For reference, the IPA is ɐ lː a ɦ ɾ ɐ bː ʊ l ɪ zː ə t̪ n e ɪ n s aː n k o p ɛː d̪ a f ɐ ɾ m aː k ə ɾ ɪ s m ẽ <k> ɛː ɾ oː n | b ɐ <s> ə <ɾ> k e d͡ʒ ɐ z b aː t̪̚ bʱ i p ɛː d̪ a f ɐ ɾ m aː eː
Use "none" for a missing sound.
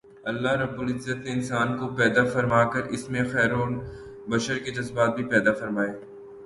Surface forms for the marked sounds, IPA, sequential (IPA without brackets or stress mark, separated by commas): x, ʃ, ɾ